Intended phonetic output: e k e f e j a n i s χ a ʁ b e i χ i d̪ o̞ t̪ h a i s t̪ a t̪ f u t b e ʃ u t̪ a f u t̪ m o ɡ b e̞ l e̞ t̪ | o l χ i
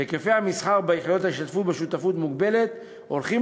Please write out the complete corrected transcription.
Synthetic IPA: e k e f e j a m i s χ a ʁ b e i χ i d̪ o̞ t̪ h a i ʃ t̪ a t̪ f u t b e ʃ u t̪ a f u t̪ m u ɡ b e̞ l e̞ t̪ | o l χ i

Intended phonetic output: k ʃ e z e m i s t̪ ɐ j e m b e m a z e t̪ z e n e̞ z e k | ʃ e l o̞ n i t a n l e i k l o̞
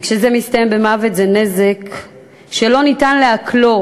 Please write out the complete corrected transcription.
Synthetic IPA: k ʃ e z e m i s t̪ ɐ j e m b e m a v e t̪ z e n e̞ z e k | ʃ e l o̞ n i t a n l e a k l o̞

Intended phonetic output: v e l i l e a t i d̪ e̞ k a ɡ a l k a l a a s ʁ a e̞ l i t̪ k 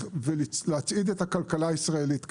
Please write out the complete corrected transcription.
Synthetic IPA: v e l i l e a t͡s i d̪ e̞ t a k a l k a l a i s ʁ a e̞ l i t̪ k

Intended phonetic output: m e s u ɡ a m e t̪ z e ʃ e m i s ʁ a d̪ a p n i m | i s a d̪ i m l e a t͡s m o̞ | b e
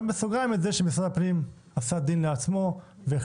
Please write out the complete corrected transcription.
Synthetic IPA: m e s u ɡ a m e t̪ z e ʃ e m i s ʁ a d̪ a p n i m | a s a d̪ i n l e a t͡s m o̞ | v e

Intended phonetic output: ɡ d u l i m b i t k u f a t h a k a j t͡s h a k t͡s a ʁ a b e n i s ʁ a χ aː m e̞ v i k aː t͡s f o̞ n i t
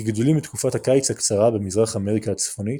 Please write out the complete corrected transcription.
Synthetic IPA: ɡ d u l i m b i t k u f a t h a k a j t͡s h a k t͡s a ʁ a b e m i z ʁ a χ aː m e̞ ʁ i k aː t͡s f o̞ n i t

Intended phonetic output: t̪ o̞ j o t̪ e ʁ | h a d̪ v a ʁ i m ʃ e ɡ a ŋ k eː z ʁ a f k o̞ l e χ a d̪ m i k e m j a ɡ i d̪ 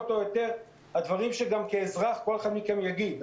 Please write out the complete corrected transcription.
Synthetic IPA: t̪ o̞ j o t̪ e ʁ | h a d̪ v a ʁ i m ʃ e ɡ a m k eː z ʁ a χ k o̞ l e χ a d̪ m i k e m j a ɡ i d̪

